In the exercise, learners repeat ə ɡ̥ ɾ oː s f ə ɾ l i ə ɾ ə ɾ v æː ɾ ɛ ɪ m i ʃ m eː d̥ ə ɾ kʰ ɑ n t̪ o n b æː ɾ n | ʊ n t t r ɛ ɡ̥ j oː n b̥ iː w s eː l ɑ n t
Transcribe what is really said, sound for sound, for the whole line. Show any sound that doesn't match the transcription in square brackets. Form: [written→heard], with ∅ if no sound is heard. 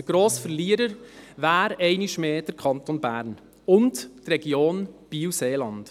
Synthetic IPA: ə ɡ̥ ɾ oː s f ə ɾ l i ə ɾ ə ɾ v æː ɾ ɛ ɪ [m→n] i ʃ m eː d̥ ə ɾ kʰ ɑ n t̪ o n b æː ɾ n | ʊ n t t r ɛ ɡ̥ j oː n b̥ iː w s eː l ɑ n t